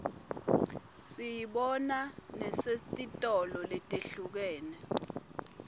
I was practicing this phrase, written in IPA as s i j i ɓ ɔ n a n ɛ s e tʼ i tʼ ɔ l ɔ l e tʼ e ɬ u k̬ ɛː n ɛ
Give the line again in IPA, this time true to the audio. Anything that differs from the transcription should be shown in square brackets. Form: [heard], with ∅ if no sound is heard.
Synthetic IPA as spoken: s i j i ɓ ɔ n a n ɛ s e tʼ i tʼ ɔ l ɔ l e tʼ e ɬ u k̬ ɛː n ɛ